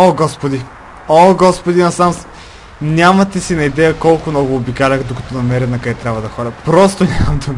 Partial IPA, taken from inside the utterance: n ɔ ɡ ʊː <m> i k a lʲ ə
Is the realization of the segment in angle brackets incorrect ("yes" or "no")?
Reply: yes